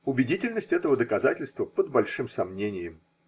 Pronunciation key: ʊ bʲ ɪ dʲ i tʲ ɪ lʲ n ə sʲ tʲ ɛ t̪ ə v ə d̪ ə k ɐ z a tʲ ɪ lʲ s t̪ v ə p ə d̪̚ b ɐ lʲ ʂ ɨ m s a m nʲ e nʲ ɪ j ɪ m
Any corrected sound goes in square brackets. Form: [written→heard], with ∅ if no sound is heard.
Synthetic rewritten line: ʊ bʲ ɪ dʲ i tʲ ɪ lʲ n ə sʲ tʲ ɛ t̪ ə v ə d̪ ə k ɐ z a tʲ ɪ lʲ s t̪ v ə p ə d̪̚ b ɐ lʲ ʂ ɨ m s [a→ɐ] m nʲ e nʲ ɪ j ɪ m